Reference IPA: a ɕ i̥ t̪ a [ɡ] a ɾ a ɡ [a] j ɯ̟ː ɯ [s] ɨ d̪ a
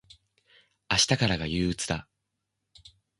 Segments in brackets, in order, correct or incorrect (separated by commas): incorrect, correct, incorrect